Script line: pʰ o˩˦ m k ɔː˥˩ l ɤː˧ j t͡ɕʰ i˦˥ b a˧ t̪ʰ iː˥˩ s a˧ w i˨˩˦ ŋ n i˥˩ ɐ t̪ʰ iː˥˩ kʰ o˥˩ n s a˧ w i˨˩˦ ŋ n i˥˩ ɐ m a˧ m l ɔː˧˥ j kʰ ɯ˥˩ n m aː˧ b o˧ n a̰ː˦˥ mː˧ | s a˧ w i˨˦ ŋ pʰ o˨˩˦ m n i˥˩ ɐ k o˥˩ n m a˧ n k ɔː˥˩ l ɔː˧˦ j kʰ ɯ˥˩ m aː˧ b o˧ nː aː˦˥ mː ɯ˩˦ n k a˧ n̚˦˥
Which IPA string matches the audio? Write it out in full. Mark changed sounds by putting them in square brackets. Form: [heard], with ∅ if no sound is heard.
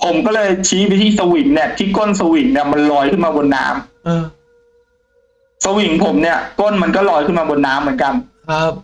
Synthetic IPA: pʰ o˩˦ m k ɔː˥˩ l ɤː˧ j t͡ɕʰ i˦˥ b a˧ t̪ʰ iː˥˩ s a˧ w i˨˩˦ ŋ n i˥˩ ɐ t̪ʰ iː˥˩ [k] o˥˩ n s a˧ w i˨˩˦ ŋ n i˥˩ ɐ m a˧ [n] l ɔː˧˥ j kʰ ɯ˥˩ n m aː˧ b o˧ [nː] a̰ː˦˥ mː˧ | s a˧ w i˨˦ ŋ pʰ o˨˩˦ m n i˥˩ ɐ k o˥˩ n m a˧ n k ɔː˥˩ l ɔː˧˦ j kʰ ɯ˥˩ m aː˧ b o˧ nː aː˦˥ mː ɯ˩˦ n k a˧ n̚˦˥